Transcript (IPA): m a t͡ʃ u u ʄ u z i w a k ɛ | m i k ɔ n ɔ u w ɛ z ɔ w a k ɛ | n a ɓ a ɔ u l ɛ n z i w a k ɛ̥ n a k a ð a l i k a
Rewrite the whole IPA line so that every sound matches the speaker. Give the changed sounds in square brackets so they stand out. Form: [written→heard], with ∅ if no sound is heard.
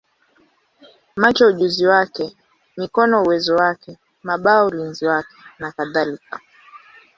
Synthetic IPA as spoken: m a t͡ʃ [u→ɔ] u ʄ u z i w a k ɛ | m i k ɔ n ɔ u w ɛ z ɔ w a k ɛ | [n→m] a ɓ a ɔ u l [ɛ→i] n z i w a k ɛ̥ n a k a ð a l i k a